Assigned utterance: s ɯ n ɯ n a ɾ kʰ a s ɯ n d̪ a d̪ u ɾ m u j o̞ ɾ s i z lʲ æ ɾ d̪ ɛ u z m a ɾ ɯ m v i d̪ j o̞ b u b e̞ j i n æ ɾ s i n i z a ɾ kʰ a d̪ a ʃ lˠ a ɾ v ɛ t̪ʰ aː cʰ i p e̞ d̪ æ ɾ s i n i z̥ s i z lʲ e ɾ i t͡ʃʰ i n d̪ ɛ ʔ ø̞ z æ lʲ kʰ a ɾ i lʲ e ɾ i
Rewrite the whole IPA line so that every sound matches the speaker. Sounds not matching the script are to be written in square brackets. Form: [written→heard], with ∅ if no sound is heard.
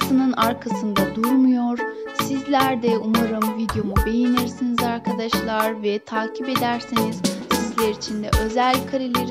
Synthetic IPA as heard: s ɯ n ɯ n a ɾ kʰ a s ɯ n d̪ a d̪ u ɾ m u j o̞ ɾ s i z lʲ æ ɾ d̪ ɛ u [z→∅] m a ɾ ɯ m v i d̪ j o̞ [b→m] u b e̞ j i n [æ→i] ɾ s i n i z a ɾ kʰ a d̪ a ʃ lˠ a ɾ v ɛ t̪ʰ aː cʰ i p e̞ d̪ æ ɾ s i n i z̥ s i z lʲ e ɾ i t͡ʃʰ i n d̪ ɛ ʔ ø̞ z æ lʲ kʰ a ɾ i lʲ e ɾ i

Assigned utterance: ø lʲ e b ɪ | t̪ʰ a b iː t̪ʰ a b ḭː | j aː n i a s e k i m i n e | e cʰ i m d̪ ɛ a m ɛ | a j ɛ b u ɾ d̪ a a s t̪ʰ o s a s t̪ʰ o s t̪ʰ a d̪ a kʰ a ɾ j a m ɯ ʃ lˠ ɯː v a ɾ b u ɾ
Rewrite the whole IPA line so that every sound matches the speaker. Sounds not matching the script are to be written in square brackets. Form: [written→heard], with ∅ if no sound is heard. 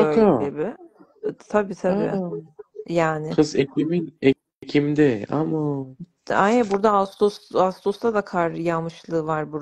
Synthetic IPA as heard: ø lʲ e b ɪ | t̪ʰ a b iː t̪ʰ a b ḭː | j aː n [i→ɪ] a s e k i m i n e | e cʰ i m d̪ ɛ a m [ɛ→a] | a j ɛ b u ɾ d̪ a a s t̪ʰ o s a s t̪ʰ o s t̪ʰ a d̪ a kʰ a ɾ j a m ɯ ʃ lˠ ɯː v a ɾ b u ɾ

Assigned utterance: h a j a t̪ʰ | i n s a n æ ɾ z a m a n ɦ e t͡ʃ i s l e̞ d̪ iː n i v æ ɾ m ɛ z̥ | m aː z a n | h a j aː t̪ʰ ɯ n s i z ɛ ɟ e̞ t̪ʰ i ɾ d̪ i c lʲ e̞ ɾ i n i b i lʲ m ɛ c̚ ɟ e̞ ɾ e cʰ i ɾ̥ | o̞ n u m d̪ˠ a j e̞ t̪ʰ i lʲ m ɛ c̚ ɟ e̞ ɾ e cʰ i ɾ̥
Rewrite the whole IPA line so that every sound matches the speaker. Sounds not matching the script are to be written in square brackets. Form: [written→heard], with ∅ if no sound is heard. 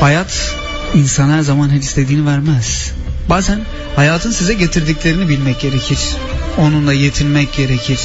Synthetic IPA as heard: h a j a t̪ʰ | i n s a n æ ɾ z a m a n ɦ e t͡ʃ i s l e̞ d̪ iː n i v æ ɾ m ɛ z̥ | [m→b] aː z [a→æ] n | h a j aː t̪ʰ ɯ n s i z ɛ ɟ e̞ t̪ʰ i ɾ d̪ i c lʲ e̞ ɾ i n i b i lʲ m ɛ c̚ ɟ e̞ ɾ e cʰ i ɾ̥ | o̞ n u [m→n] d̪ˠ a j e̞ t̪ʰ i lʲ m ɛ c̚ ɟ e̞ ɾ e cʰ i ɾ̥

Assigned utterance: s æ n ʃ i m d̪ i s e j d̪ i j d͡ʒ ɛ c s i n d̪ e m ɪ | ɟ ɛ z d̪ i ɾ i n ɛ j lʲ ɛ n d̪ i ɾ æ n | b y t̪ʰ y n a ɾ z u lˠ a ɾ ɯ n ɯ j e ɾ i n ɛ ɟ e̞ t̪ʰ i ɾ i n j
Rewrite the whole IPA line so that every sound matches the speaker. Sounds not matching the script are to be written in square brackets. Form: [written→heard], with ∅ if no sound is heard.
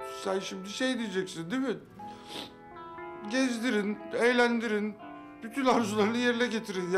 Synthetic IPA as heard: s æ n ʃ i m d̪ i [s→ʃ] e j d̪ i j d͡ʒ ɛ c s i n d̪ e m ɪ | ɟ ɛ z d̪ i ɾ i n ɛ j lʲ [ɛ→æ] n d̪ i ɾ [æ→i] n | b y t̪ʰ y n a ɾ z u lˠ a ɾ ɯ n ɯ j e ɾ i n ɛ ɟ e̞ t̪ʰ i ɾ i n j

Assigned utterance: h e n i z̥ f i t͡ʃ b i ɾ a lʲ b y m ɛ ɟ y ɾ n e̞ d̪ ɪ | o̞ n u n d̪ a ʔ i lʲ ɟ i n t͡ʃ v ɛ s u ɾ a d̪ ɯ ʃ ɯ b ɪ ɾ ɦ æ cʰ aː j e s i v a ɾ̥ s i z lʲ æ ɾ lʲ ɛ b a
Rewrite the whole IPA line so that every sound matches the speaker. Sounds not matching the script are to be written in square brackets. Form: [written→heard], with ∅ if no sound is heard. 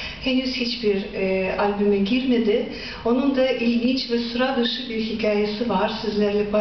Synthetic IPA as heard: h e n [i→y] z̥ [f→h] i t͡ʃ b i ɾ a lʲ b y m ɛ ɟ [y→i] ɾ [n→m] e̞ d̪ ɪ | o̞ n u n d̪ a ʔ i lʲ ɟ i n t͡ʃ v ɛ s u ɾ a d̪ ɯ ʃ ɯ b [ɪ→i] ɾ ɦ [æ→i] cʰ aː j e s i v a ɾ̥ s i z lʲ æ ɾ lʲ ɛ b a

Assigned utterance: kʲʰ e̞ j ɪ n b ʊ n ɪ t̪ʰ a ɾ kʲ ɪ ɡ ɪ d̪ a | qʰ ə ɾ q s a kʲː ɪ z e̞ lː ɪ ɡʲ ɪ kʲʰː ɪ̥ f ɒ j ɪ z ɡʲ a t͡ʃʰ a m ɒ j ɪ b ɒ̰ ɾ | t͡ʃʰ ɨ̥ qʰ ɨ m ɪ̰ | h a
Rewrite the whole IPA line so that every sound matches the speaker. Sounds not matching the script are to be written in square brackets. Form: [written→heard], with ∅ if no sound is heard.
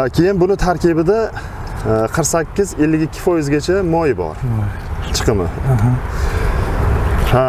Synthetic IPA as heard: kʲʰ e̞ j ɪ n b ʊ n ɪ t̪ʰ a ɾ kʲ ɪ [ɡ→b] ɪ d̪ a | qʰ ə ɾ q s a kʲː ɪ z e̞ lː ɪ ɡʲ ɪ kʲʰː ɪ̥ f ɒ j ɪ z ɡʲ a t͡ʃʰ a m ɒ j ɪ b ɒ̰ ɾ | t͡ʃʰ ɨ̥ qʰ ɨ m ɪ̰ | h a

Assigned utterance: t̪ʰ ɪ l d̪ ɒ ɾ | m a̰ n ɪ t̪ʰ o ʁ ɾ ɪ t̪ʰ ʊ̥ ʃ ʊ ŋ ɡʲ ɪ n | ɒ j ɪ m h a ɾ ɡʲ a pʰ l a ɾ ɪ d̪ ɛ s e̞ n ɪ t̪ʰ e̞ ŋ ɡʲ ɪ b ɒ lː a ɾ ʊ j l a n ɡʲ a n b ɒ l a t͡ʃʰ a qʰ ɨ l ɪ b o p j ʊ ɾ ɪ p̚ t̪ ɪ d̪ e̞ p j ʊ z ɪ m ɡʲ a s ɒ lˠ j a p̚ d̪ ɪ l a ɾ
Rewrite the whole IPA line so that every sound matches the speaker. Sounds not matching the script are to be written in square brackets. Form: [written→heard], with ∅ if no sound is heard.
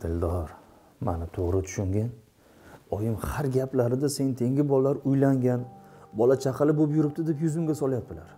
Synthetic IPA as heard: t̪ʰ ɪ l d̪ ɒ ɾ | m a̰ n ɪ t̪ʰ o ʁ ɾ ɪ t̪ʰ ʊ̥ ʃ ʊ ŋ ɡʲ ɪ n | ɒ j ɪ m h a ɾ ɡʲ a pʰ l a ɾ ɪ d̪ [ɛ→a] s e̞ n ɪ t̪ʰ e̞ ŋ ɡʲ ɪ b ɒ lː a ɾ ʊ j l a [n→ŋ] ɡʲ a n b ɒ l a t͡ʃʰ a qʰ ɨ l ɪ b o p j ʊ ɾ ɪ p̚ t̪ ɪ d̪ e̞ p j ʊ z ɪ m ɡʲ a s ɒ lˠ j a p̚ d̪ ɪ l a ɾ

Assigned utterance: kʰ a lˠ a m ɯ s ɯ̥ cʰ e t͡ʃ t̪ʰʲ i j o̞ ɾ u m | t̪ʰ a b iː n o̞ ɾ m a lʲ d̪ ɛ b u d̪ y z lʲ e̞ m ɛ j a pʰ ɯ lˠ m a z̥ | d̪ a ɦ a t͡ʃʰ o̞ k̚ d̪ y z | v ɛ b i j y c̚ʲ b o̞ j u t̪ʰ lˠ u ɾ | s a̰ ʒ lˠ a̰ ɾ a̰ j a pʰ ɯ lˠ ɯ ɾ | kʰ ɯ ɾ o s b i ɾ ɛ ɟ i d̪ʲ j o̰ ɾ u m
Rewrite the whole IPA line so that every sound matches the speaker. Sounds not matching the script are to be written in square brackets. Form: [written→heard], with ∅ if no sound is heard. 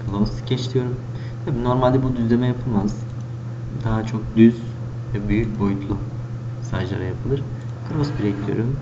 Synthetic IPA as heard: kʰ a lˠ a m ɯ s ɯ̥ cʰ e t͡ʃ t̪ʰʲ i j o̞ ɾ u m | t̪ʰ a b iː n o̞ ɾ m a lʲ d̪ ɛ b u d̪ y z lʲ e̞ m ɛ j a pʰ ɯ lˠ m a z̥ | d̪ a ɦ a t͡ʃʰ o̞ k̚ d̪ y z | v ɛ b [i→y] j y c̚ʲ b o̞ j u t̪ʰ lˠ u [ɾ→∅] | s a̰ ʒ lˠ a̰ ɾ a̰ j a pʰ ɯ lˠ ɯ ɾ | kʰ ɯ ɾ o s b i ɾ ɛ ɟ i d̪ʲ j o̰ ɾ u m

